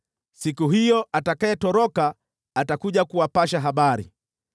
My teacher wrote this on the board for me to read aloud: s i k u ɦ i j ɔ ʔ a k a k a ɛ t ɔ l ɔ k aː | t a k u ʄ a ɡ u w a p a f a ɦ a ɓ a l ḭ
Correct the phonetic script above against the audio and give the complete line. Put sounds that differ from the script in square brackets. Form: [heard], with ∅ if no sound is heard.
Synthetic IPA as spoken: s i k u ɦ i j ɔ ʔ a [t] a k a ɛ t ɔ [ɾ] ɔ k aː | t a k u ʄ a [k] u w a p a [ʃ] a ɦ a ɓ a [ɾ] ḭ